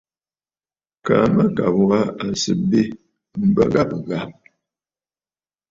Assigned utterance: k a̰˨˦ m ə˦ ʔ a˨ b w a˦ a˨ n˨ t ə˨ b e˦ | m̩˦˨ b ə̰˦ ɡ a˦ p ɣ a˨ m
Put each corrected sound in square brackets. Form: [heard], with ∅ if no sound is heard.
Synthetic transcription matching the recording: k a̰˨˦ m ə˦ [k] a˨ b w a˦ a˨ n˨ [s] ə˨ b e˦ | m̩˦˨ b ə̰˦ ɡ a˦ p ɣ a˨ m